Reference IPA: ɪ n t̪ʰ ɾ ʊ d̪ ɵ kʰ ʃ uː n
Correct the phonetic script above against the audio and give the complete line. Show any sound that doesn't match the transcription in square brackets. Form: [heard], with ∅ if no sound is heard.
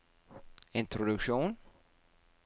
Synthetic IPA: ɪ n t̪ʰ ɾ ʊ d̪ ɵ [k] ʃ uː n